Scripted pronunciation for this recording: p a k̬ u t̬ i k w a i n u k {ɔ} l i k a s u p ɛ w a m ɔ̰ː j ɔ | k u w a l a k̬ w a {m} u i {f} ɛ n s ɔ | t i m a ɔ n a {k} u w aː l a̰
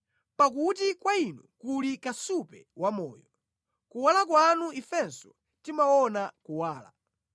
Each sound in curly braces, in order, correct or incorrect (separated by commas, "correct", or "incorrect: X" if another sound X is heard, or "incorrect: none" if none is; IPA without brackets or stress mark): incorrect: u, incorrect: n, correct, correct